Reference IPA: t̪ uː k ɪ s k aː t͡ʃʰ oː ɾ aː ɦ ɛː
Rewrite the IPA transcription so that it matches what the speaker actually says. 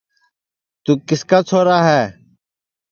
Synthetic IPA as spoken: t̪ uː k ɪ s k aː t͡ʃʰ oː ɾ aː ɦ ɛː